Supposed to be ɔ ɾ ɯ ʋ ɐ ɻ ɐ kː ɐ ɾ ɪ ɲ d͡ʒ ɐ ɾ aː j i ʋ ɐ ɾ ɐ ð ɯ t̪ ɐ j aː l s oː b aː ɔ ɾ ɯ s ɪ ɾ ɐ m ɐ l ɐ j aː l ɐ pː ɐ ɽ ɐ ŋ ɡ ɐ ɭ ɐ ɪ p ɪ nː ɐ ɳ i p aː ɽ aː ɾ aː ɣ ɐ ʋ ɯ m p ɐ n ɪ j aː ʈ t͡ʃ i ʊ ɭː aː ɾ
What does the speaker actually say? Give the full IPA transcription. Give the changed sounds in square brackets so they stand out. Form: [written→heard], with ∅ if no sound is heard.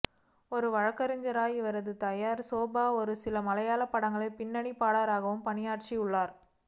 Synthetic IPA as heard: ɔ ɾ ɯ ʋ ɐ ɻ ɐ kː ɐ ɾ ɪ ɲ d͡ʒ ɐ ɾ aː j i ʋ ɐ ɾ ɐ ð ɯ t̪ ɐ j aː [l→ɾ] s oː b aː ɔ ɾ ɯ s ɪ [ɾ→l] ɐ m ɐ l ɐ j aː l ɐ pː ɐ ɽ ɐ ŋ ɡ ɐ ɭ ɐ ɪ p ɪ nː ɐ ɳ i p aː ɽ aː ɾ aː ɣ ɐ ʋ ɯ m p ɐ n ɪ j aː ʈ t͡ʃ i ʊ ɭː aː ɾ

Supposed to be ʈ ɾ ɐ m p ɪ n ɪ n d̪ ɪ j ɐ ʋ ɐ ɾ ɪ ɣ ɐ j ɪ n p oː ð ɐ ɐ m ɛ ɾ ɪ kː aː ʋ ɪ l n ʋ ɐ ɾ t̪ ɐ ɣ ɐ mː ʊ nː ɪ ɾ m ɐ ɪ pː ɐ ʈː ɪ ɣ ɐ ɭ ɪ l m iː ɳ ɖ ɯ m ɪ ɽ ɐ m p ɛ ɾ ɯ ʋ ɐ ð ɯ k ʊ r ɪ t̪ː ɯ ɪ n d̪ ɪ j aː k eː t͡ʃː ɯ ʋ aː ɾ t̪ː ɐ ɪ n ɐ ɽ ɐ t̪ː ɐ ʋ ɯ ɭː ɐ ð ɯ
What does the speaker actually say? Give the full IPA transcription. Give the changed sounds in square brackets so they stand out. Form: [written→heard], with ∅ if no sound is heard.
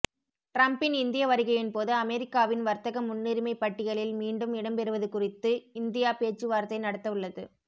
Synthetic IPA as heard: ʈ ɾ ɐ m p ɪ n ɪ n d̪ ɪ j ɐ ʋ ɐ ɾ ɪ ɣ ɐ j ɪ n p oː ð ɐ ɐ m ɛ ɾ ɪ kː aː ʋ ɪ [l→∅] n ʋ ɐ ɾ t̪ ɐ ɣ ɐ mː ʊ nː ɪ ɾ m ɐ ɪ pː ɐ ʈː ɪ ɣ ɐ ɭ ɪ l m iː ɳ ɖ ɯ m ɪ ɽ ɐ m p ɛ ɾ ɯ ʋ ɐ ð ɯ k ʊ r ɪ t̪ː ɯ ɪ n d̪ ɪ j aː [k→p] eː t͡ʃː ɯ ʋ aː ɾ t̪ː ɐ ɪ n ɐ ɽ ɐ t̪ː ɐ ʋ ɯ ɭː ɐ ð ɯ

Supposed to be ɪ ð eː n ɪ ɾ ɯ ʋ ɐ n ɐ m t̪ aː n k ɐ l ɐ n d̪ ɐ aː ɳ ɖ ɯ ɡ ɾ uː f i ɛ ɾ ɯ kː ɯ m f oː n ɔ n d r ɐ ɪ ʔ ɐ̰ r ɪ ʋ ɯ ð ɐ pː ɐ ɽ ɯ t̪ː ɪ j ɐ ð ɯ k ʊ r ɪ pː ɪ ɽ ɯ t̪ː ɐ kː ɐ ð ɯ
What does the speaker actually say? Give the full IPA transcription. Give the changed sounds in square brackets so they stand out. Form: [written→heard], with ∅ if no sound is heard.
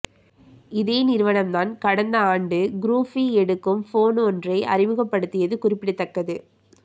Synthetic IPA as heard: ɪ ð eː n ɪ ɾ ɯ ʋ ɐ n ɐ m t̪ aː n k ɐ [l→ɽ] ɐ n d̪ ɐ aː ɳ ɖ ɯ ɡ ɾ uː f i ɛ [ɾ→ɽ] ɯ kː ɯ m f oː n ɔ n d r ɐ ɪ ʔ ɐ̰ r ɪ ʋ ɯ [ð→ɣ] ɐ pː ɐ ɽ ɯ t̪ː ɪ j ɐ ð ɯ k ʊ r ɪ pː ɪ ɽ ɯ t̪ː ɐ kː ɐ ð ɯ

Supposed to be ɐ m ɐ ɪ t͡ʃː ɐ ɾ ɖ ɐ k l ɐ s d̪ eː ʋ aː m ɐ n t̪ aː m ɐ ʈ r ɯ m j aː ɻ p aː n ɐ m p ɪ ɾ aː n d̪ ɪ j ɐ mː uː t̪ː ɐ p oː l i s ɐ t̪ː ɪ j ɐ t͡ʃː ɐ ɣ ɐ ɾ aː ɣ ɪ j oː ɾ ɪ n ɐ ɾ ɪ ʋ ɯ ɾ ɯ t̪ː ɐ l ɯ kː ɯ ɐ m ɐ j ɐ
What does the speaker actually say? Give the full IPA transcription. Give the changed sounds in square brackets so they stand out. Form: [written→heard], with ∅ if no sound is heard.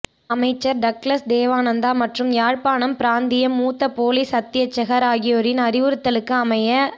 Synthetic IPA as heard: ɐ m ɐ ɪ t͡ʃː ɐ ɾ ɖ ɐ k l ɐ s d̪ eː ʋ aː [m→n] ɐ n [t̪→d̪] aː m ɐ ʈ r ɯ m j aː ɻ p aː n ɐ m p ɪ ɾ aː n d̪ ɪ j ɐ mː uː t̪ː ɐ p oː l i s ɐ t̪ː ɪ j ɐ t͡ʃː ɐ ɣ ɐ ɾ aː ɣ ɪ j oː ɾ ɪ n ɐ ɾ ɪ ʋ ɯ ɾ ɯ t̪ː ɐ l ɯ kː ɯ ɐ m ɐ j ɐ

